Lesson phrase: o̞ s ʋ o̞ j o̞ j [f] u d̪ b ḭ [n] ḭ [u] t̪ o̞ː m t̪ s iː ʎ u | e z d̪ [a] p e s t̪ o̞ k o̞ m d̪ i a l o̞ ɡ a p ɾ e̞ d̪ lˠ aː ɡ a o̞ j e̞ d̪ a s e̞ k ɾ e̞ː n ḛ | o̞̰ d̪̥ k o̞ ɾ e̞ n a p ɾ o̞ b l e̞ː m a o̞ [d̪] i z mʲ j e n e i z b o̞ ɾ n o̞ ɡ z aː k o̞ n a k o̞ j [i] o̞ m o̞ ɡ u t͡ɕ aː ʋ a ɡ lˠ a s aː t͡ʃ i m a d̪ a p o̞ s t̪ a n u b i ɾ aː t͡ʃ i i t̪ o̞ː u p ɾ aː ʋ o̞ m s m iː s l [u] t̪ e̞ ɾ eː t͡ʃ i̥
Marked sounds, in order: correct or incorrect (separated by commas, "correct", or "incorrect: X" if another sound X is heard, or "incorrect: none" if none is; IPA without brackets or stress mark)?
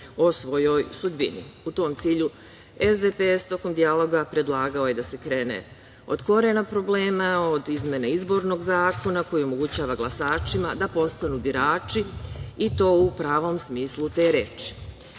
incorrect: s, correct, correct, incorrect: e, correct, correct, correct